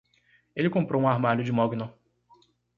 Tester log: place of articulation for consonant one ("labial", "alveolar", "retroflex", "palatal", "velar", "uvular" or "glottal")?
alveolar